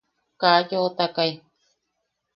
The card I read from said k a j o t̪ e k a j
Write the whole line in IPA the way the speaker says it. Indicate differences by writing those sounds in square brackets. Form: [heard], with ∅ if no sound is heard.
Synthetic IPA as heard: k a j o t̪ [a] k a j